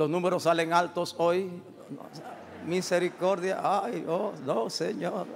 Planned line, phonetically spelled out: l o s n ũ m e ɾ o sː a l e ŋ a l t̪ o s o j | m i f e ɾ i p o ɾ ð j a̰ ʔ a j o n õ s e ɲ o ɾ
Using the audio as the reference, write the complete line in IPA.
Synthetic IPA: l o s n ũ m e ɾ o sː a l e ŋ a l t̪ o s o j | m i s e ɾ i k o ɾ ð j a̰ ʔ a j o n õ s e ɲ o ɾ